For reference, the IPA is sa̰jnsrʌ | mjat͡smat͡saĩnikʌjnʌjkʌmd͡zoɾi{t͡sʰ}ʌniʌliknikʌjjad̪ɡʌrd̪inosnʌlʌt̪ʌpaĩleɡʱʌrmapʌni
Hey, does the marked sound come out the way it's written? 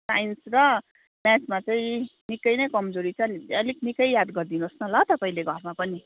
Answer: yes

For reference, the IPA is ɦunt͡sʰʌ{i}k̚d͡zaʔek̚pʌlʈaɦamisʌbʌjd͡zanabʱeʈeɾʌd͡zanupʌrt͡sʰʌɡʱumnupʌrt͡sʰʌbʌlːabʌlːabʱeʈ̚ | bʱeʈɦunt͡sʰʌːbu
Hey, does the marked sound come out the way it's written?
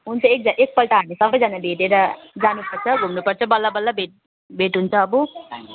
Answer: no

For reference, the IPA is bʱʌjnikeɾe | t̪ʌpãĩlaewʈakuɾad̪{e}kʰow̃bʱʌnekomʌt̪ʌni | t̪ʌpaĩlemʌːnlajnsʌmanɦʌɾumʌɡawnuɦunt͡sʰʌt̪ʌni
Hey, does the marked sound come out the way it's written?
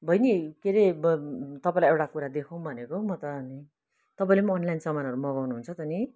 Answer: yes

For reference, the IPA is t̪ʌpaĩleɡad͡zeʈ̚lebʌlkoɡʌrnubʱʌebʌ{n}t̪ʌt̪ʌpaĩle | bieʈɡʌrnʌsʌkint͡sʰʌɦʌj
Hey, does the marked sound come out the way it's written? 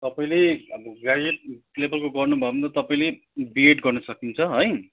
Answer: yes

